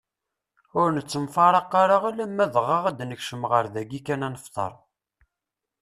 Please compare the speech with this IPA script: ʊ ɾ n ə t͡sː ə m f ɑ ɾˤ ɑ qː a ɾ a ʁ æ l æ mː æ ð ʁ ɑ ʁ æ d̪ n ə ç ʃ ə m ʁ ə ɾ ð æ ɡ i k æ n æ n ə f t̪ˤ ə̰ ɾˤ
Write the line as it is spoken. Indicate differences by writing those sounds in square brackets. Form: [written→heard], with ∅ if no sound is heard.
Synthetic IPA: ʊ ɾ n ə t͡sː ə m f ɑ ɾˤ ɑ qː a ɾ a ʁ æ l æ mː æ ð ʁ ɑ ʁ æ d̪ n ə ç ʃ ə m ʁ ə ɾ ð æ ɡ i k æ n æ n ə f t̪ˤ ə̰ ɾˤ